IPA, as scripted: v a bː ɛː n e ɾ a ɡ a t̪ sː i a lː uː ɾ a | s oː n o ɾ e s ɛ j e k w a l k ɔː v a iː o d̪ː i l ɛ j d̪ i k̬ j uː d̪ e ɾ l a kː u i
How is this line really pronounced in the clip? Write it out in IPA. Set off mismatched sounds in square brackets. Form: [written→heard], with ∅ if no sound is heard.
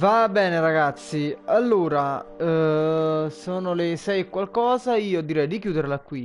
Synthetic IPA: v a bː ɛː n e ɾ a ɡ a t̪ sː i a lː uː ɾ a | s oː n o [ɾ→l] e s ɛ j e k w a l k ɔː [v→z] a iː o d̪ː i [l→ɾ] ɛ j d̪ i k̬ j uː d̪ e ɾ l a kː [u→w] i